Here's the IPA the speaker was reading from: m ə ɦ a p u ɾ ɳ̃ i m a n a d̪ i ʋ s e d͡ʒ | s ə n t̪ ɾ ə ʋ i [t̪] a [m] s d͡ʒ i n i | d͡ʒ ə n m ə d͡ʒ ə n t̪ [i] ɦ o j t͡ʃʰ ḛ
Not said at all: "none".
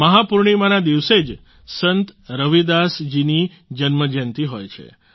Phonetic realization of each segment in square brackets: d̪, none, i

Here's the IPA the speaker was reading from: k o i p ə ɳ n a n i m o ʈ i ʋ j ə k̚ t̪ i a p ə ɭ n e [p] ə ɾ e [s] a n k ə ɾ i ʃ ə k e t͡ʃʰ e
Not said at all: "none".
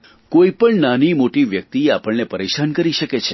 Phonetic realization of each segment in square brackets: p, ʃ

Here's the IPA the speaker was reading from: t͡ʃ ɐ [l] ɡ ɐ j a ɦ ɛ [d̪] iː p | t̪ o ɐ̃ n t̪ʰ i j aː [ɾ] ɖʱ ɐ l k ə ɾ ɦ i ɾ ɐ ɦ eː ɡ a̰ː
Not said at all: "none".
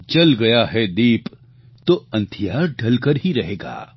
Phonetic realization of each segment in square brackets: l, d̪, ɾ

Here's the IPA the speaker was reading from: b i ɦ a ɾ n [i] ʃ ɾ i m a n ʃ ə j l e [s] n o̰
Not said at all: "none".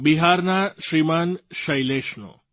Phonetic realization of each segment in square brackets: a, ʃ

